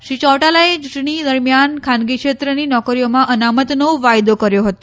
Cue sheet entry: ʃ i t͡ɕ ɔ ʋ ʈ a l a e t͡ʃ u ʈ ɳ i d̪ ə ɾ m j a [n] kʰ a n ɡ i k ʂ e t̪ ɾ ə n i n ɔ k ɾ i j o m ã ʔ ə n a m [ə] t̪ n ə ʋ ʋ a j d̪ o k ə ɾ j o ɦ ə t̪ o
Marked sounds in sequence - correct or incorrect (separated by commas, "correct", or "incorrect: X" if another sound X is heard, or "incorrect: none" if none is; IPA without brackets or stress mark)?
correct, correct